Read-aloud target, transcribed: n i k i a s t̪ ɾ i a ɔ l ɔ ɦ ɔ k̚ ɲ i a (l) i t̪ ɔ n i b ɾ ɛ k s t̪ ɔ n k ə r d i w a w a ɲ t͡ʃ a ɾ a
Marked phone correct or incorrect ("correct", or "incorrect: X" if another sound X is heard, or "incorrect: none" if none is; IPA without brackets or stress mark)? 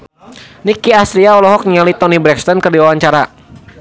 correct